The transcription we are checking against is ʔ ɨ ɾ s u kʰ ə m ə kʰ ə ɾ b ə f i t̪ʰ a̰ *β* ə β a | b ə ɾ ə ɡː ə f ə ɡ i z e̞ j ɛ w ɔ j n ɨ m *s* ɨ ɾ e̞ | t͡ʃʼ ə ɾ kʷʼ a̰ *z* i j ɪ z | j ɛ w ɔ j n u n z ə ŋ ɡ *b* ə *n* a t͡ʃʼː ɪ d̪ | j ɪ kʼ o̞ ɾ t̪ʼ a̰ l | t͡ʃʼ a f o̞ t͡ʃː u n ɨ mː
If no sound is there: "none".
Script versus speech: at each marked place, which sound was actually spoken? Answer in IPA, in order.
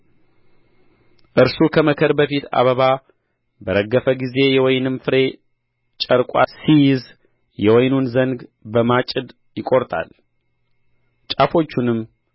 β, f, s, b, m

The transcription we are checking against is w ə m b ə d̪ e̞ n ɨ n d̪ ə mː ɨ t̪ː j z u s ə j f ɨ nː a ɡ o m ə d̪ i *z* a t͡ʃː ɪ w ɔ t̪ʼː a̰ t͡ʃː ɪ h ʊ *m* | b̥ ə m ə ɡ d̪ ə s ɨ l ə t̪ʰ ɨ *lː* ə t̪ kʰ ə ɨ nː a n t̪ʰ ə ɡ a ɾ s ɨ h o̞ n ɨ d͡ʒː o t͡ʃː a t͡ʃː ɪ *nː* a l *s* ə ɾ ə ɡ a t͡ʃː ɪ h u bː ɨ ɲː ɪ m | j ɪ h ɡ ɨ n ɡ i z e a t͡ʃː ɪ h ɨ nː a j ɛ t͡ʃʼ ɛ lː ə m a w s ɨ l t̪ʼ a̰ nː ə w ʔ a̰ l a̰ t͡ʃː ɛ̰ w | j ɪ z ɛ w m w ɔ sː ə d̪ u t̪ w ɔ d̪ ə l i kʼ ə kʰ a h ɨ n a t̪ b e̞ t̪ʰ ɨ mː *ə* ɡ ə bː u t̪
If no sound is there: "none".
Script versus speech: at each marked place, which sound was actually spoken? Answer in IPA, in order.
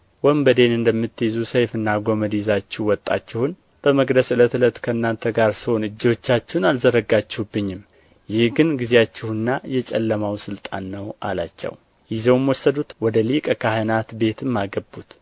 z, n, l, n, z, a

